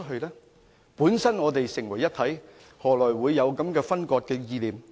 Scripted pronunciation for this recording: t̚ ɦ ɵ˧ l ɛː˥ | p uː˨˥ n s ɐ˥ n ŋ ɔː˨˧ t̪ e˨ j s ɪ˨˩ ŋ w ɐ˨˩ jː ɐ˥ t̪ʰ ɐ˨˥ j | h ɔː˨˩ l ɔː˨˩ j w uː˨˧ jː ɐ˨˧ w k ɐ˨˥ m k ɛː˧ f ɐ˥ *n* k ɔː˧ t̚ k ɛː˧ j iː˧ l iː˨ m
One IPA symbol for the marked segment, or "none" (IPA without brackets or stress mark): n